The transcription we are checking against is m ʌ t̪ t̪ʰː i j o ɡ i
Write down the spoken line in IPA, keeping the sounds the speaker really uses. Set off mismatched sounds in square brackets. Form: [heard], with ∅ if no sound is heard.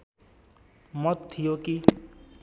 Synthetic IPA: m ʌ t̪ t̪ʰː i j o [k] i

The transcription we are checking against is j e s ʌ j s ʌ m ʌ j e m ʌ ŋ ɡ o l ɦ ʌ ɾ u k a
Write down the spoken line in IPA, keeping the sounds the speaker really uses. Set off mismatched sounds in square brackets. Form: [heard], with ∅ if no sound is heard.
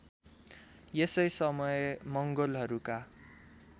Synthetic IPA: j e s ʌ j s ʌ m ʌ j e m ʌ ŋ ɡ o l ɦ ʌ ɾ u k a

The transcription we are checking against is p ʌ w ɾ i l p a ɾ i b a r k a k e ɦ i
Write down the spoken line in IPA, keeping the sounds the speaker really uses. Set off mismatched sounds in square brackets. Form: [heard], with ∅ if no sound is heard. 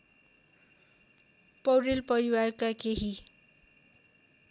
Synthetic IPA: p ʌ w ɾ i l p [ʌ] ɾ i [w] a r k a k e ɦ i

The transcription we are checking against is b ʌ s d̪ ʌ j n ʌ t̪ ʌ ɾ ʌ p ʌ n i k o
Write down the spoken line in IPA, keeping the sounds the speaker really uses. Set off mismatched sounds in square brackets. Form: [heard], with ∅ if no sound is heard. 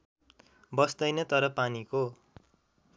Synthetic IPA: b ʌ s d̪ ʌ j n ʌ t̪ ʌ ɾ ʌ p [a] n i k o

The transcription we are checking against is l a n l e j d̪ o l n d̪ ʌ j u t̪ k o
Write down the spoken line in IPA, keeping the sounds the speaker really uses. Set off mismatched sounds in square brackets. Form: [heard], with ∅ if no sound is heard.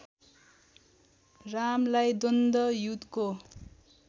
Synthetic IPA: [r] a [m] l [a] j d̪ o [∅] n d̪ ʌ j u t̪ k o

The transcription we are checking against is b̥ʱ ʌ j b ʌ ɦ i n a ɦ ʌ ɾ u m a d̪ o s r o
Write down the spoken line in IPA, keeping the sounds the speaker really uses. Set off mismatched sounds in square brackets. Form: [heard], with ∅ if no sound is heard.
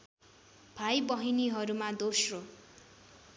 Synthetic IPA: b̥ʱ [a] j b ʌ ɦ i n [i] ɦ ʌ ɾ u m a d̪ o s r o

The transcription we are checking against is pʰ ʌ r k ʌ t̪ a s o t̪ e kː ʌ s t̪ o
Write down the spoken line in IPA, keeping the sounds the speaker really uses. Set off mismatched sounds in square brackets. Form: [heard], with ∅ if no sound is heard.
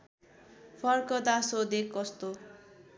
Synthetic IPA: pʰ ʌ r k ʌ [d̪] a s o [d̪] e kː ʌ s t̪ o

